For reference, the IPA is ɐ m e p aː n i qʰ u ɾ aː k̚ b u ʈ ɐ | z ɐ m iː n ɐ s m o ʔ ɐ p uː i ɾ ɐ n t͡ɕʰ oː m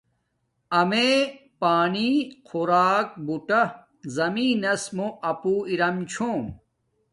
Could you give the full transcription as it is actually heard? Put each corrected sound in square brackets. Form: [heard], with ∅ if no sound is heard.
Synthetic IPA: ɐ m e p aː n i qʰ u ɾ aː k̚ b u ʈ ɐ | z ɐ m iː n ɐ s m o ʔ ɐ p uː i ɾ ɐ [m] t͡ɕʰ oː m